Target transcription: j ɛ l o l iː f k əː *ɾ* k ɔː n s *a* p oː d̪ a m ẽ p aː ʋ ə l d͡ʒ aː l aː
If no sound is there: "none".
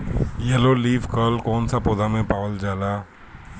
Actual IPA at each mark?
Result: l, a

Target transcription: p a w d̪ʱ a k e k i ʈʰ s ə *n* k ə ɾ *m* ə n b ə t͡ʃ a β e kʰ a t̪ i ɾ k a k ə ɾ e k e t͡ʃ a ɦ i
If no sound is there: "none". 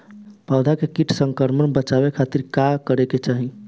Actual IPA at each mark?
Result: ŋ, m

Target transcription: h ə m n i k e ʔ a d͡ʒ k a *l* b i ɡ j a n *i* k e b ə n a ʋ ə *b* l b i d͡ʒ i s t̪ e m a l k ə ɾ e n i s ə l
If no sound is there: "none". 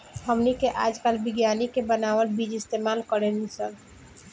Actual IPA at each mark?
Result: l, i, none

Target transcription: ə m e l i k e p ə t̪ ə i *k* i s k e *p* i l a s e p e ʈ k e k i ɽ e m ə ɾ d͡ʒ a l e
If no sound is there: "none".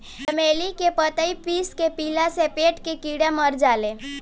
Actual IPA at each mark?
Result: p, p

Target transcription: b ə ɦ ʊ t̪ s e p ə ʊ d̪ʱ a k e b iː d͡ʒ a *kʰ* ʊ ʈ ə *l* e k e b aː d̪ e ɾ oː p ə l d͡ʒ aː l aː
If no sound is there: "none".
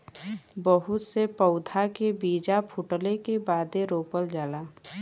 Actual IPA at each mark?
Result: pʰ, l

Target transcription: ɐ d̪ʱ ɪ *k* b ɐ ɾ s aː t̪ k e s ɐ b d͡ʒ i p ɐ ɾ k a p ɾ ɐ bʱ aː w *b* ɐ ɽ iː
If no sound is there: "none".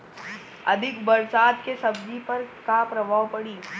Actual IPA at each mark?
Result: k, p

